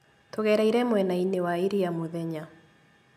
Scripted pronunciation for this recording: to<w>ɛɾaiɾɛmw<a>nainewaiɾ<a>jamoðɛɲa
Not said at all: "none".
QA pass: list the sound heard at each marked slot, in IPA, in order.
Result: ɣ, ɛ, i

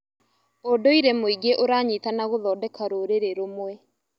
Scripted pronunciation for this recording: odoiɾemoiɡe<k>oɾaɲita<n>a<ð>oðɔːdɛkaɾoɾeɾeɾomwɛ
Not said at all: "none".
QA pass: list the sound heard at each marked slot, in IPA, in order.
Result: ʔ, n, ɣ

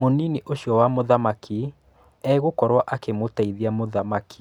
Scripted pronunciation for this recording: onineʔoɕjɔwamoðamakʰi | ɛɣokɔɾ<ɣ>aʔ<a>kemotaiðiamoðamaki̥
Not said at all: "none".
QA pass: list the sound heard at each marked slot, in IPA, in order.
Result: w, a

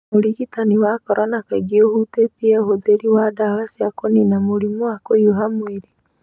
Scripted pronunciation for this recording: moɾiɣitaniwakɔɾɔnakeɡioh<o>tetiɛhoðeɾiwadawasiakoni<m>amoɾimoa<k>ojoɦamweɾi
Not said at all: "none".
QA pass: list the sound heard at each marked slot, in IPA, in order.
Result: u, n, k

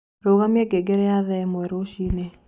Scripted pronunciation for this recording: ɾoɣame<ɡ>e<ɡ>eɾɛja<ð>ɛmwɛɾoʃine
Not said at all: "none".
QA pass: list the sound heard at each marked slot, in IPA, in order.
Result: ɡ, ɡ, ð

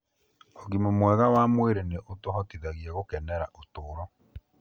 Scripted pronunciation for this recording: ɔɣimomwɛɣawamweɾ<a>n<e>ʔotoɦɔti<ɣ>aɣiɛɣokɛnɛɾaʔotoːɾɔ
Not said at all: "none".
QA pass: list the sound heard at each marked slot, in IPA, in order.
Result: e, e, ð

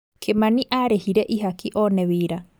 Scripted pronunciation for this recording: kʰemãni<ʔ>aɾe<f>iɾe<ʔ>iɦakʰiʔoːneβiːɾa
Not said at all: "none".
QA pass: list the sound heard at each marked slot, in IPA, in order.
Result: ʔ, h, ʔ

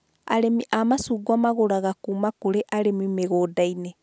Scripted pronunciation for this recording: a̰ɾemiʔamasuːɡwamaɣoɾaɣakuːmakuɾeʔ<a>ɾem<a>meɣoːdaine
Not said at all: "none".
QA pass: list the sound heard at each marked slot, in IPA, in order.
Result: a, i

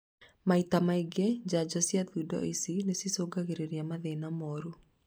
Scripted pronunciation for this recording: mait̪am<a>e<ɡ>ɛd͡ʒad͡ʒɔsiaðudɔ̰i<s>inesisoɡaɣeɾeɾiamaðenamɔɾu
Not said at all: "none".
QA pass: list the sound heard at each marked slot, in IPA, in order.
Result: a, ɡ, s

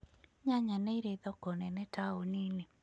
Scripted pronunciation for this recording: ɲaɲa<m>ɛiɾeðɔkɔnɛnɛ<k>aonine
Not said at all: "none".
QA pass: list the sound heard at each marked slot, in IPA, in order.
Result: n, t

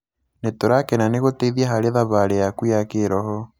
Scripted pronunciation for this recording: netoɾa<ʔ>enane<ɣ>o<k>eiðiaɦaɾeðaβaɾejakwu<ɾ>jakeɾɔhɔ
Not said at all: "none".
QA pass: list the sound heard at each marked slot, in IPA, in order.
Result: k, ɣ, t, none

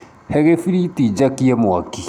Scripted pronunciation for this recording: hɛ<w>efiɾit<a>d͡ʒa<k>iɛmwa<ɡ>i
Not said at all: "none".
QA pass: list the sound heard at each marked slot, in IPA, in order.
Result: ɣ, i, k, k

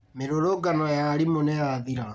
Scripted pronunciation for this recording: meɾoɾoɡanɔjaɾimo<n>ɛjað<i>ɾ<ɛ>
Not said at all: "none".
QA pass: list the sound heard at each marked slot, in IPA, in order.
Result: n, i, a

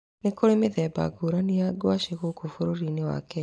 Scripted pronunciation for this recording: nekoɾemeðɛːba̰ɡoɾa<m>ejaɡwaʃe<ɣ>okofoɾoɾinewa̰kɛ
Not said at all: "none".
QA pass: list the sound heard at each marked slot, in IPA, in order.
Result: n, ɣ

